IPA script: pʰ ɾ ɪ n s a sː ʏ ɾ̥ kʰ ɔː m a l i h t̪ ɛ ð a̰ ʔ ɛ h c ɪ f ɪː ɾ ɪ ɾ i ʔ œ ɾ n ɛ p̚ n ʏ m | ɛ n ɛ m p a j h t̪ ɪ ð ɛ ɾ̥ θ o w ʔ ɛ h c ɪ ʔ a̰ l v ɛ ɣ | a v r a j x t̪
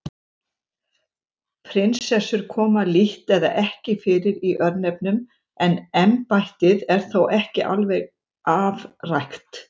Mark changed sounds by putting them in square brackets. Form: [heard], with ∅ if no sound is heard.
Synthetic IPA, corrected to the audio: pʰ ɾ ɪ n s [ɛ] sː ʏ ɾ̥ kʰ ɔː m a l i h t̪ ɛ ð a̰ ʔ ɛ h c ɪ f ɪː ɾ ɪ ɾ i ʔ œ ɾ n ɛ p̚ n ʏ m | ɛ n ɛ m p a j h t̪ ɪ ð ɛ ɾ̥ θ o w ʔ ɛ h c ɪ ʔ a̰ l v ɛ ɣ | a v r a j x t̪